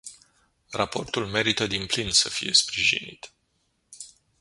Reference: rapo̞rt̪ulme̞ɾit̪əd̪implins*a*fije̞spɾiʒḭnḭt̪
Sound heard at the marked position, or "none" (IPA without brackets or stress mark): ə